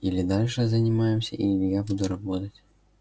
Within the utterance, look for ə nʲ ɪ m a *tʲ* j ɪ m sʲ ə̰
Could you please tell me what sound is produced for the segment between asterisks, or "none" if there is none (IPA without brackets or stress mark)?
none